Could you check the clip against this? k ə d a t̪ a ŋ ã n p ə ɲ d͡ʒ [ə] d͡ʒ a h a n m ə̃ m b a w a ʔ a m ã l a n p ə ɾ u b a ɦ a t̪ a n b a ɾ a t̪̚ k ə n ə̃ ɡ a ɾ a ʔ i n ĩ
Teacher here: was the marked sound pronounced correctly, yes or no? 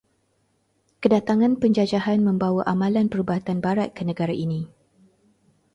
no